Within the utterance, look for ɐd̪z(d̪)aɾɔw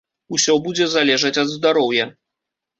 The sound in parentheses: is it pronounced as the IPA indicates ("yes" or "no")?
yes